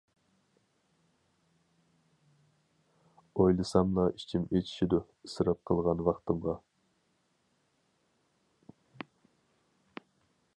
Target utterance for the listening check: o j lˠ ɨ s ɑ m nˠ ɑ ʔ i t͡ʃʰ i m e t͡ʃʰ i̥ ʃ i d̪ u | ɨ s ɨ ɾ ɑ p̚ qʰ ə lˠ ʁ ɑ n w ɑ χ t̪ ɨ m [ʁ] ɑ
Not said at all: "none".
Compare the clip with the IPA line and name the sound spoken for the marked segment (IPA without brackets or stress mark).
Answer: ʁ